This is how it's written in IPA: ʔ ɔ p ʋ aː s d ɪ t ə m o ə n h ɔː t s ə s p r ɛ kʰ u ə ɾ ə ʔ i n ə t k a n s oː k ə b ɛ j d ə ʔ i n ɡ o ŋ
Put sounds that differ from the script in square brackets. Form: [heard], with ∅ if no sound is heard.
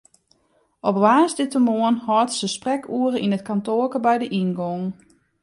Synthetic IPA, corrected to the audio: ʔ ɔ p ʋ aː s d ɪ t ə m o ə n h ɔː t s ə s p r ɛ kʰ u ə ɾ ə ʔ i n ə t k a n [t] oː k ə b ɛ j d ə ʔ i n ɡ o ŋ